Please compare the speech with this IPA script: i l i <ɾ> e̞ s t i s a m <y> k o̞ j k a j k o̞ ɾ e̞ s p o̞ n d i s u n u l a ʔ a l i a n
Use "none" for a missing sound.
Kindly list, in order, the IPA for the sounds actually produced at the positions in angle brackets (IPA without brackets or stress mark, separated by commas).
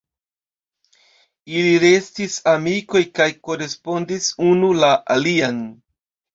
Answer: ɾ, i